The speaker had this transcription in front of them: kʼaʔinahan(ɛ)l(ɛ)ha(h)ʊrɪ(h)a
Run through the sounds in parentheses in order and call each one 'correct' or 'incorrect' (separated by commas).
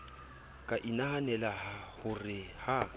correct, incorrect, correct, correct